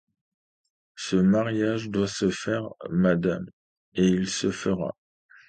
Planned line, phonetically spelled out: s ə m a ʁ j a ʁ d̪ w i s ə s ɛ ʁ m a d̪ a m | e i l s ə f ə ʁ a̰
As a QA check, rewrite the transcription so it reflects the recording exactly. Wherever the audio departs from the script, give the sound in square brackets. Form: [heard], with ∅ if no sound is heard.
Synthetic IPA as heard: s ə m a ʁ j a [ʒ] d̪ w [a] s ə [f] ɛ ʁ m a d̪ a m | e i l s ə f ə ʁ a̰